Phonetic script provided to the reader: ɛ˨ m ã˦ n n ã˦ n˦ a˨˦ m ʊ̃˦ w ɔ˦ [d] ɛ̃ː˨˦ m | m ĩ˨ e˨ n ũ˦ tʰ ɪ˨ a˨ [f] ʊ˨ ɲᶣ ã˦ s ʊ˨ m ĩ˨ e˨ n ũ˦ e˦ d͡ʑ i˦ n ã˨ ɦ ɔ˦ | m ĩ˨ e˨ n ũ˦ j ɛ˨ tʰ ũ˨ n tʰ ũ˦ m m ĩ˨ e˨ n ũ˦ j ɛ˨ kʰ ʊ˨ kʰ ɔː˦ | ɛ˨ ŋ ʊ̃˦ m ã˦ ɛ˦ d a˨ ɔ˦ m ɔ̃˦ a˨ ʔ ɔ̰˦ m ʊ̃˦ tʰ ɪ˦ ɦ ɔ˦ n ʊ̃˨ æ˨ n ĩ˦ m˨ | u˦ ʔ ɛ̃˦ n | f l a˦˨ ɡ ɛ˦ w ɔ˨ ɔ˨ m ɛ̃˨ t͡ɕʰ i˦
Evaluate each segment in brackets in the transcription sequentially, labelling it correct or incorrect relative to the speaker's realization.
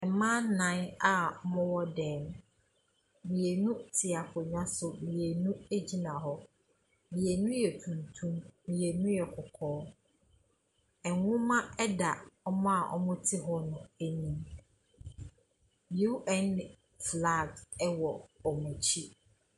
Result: correct, correct

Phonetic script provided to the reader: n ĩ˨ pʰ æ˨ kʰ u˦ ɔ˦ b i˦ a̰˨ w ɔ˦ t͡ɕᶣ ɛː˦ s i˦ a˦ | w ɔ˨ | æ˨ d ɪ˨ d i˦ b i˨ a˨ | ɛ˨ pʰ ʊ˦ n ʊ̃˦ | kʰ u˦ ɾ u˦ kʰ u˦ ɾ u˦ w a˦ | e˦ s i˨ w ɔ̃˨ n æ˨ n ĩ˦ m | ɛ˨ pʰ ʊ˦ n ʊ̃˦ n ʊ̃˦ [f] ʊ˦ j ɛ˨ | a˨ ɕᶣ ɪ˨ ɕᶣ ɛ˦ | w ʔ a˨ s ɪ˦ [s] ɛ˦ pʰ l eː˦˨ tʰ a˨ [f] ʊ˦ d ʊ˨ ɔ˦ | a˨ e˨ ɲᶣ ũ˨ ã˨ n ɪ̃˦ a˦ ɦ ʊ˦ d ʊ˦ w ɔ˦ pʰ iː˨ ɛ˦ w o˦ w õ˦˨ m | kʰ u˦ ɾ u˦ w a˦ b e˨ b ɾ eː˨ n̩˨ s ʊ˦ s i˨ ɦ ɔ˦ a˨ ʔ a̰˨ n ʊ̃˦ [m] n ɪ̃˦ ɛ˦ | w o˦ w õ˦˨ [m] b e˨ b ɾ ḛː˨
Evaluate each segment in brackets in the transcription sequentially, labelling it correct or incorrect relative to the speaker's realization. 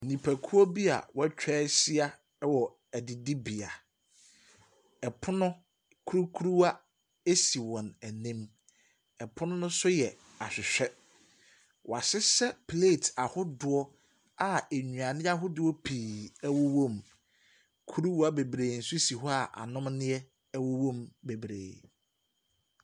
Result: incorrect: s, correct, incorrect: h, correct, correct

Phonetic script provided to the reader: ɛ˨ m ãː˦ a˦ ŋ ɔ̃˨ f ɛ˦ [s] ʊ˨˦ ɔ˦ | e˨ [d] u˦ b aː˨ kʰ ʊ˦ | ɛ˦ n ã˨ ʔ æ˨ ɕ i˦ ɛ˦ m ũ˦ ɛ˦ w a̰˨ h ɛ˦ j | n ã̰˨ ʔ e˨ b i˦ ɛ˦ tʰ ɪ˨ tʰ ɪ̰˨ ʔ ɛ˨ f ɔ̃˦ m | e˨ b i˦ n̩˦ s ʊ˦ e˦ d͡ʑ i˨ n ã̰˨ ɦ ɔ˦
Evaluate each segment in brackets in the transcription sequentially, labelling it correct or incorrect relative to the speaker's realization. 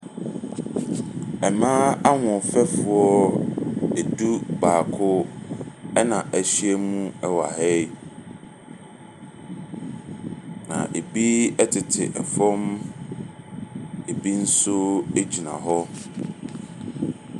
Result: incorrect: f, correct

